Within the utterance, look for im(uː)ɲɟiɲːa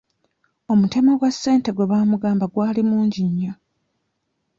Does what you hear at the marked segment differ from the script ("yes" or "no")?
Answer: no